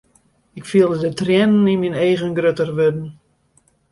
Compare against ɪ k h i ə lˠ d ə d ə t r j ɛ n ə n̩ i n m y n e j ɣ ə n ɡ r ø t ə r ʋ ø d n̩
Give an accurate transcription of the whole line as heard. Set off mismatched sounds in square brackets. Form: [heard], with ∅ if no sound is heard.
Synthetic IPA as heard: ɪ k [f] i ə lˠ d ə d ə t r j ɛ n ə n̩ i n m [i] n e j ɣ ə n ɡ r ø t ə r ʋ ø d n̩

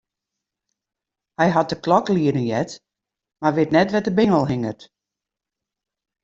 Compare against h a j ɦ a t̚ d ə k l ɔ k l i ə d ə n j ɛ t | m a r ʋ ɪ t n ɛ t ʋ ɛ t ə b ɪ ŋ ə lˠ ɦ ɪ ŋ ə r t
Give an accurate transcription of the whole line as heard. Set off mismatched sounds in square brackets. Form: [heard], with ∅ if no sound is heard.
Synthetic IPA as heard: h [ɛ] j ɦ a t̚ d ə k l ɔ k l i ə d ə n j ɛ t | m a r ʋ ɪ t n ɛ t ʋ ɛ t ə b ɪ ŋ ə lˠ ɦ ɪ ŋ ə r t

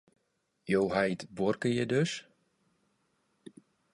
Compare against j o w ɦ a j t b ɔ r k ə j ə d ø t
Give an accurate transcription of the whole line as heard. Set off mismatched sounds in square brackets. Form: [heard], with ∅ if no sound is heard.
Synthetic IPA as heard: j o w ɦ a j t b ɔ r k ə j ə d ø [s]

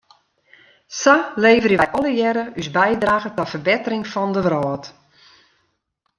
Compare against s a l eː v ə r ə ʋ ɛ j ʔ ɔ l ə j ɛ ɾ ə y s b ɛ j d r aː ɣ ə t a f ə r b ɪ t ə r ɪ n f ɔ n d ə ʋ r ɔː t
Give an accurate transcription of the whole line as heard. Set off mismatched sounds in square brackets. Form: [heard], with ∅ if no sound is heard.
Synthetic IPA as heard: s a l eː v ə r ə ʋ ɛ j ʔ ɔ l ə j ɛ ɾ ə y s b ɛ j d r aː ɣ ə t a f ə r b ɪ t ə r ɪ [ŋ] f ɔ n d ə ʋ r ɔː t

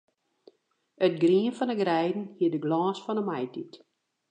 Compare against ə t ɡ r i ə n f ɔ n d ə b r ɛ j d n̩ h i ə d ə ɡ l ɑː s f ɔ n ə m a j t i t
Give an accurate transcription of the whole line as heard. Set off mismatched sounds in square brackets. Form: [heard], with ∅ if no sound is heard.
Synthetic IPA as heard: ə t ɡ r i ə n f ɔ n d ə [ɡ] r ɛ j d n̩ h i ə d ə ɡ l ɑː s f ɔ n ə m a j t i t

